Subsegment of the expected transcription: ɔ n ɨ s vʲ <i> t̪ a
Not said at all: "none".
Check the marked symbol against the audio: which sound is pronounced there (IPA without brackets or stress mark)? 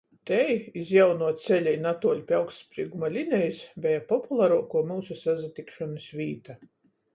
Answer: iː